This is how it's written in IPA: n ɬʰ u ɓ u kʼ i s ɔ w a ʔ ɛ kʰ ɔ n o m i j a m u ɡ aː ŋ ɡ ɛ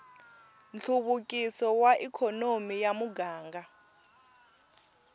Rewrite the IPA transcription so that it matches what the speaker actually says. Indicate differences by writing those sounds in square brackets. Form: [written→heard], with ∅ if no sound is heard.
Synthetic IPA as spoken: n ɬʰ u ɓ u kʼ i s ɔ w a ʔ [ɛ→i] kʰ ɔ n o m i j a m u ɡ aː ŋ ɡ [ɛ→a]